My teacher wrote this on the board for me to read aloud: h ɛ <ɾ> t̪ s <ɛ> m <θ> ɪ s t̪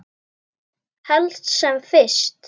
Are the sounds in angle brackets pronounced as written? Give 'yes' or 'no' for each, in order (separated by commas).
no, yes, no